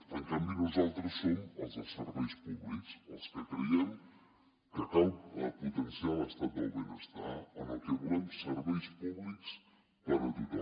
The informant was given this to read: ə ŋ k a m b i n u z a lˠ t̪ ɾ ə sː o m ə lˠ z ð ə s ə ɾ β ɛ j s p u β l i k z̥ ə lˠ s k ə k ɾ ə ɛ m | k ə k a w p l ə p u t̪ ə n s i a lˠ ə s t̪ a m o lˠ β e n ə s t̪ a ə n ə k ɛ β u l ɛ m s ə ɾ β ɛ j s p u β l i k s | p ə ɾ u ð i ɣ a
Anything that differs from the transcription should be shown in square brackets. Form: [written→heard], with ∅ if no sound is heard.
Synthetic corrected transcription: ə ŋ k a m b i n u z a lˠ t̪ ɾ ə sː o m ə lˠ z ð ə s ə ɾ β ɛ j s p u β l i k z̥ ə lˠ s k ə k ɾ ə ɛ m | k ə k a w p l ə p u t̪ ə n s i a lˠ ə s t̪ a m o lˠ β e n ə s t̪ a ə n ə k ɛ β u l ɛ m s ə ɾ β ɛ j s p u β l i k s | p ə ɾ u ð i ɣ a

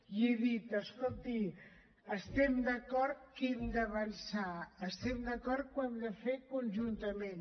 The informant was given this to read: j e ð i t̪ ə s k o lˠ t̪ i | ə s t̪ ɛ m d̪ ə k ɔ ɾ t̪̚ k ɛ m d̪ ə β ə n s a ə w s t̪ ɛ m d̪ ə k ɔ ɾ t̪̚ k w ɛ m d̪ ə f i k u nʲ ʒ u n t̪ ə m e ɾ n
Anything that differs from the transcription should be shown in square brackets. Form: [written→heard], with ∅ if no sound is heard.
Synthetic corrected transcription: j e ð i t̪ ə s k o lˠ t̪ i | ə s t̪ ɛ m d̪ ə k ɔ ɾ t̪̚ k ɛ m d̪ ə β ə n s a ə [w→∅] s t̪ ɛ m d̪ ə k ɔ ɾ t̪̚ k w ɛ m d̪ ə f [i→e] k u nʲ ʒ u n t̪ ə m e [ɾ→∅] n

